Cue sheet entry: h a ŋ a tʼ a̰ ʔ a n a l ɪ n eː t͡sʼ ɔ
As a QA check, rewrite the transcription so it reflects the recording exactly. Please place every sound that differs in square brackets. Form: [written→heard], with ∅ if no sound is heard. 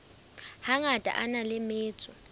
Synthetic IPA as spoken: h a ŋ a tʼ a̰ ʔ a n a l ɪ [n→m] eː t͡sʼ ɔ